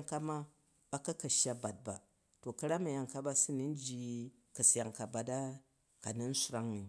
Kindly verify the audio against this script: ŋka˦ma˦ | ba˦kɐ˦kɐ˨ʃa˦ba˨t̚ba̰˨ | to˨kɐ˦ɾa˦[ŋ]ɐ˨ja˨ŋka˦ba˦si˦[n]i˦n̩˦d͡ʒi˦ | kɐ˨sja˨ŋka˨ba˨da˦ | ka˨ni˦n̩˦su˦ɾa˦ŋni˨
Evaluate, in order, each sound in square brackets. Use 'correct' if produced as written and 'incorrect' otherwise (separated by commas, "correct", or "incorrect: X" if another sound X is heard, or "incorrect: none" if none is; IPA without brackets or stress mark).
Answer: incorrect: m, correct